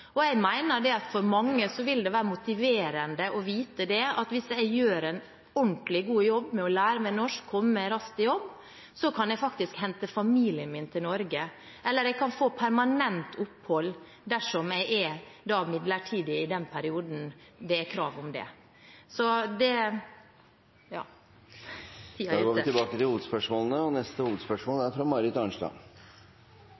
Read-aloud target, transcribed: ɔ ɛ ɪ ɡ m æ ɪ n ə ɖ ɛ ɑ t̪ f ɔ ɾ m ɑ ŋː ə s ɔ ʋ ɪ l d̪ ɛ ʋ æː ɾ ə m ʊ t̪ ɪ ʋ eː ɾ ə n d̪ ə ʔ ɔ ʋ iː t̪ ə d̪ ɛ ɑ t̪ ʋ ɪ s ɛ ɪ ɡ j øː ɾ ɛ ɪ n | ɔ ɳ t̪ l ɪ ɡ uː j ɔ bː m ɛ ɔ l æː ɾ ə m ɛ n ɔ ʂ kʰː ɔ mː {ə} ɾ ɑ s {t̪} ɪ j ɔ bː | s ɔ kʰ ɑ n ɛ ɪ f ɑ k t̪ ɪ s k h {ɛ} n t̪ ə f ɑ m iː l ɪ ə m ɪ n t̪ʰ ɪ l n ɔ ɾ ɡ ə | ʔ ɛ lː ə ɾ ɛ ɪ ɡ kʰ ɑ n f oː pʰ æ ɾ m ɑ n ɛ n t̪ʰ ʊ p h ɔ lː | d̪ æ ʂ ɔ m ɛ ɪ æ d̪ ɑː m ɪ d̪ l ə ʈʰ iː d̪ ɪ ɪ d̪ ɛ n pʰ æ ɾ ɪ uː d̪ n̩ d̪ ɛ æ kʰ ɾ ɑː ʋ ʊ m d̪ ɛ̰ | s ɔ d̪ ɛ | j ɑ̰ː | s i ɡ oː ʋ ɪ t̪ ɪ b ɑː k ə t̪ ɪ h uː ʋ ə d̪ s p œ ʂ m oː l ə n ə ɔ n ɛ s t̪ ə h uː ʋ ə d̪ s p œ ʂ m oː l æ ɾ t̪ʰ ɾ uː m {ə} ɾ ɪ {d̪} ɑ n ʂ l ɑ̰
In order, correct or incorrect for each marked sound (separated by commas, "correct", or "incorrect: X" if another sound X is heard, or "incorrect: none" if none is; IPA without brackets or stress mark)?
correct, correct, correct, incorrect: ɑ, incorrect: t̪